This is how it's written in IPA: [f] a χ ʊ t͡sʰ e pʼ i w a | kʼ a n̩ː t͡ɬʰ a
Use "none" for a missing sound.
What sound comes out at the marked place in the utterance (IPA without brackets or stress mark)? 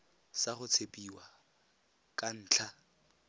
s